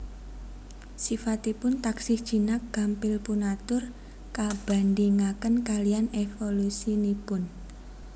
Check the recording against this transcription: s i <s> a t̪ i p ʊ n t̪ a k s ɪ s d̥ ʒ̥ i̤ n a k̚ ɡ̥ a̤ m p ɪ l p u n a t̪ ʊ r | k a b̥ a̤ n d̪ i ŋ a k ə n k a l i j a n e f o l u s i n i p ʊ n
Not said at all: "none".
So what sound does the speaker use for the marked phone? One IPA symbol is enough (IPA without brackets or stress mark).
f